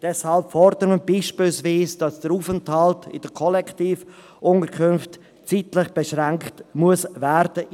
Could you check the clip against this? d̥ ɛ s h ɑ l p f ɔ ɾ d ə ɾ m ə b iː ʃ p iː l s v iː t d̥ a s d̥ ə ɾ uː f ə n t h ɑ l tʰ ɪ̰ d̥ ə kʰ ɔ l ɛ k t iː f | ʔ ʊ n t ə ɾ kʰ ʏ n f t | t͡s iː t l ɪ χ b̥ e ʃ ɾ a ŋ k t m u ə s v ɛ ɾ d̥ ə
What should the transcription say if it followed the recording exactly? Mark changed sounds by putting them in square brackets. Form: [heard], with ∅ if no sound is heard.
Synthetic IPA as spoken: d̥ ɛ s h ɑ l p f ɔ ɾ d ə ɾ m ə b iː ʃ p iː l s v iː [s] d̥ [ɑ] s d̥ ə ɾ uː f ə n t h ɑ l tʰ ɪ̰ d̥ ə kʰ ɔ l ɛ k t iː f | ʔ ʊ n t ə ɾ kʰ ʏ n f t | t͡s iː t l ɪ χ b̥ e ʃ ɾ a ŋ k t m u ə s v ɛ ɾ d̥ ə